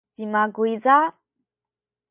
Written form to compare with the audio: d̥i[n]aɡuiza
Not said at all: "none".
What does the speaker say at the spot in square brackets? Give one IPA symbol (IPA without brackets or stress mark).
m